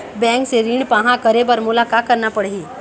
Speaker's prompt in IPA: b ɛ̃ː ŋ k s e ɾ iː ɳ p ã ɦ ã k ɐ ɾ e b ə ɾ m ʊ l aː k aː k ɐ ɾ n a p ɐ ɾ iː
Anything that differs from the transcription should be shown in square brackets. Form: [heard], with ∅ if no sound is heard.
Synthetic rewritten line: b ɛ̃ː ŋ k s e ɾ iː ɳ p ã ɦ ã k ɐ ɾ e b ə ɾ m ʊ l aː k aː k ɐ ɾ n a p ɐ [ɽ] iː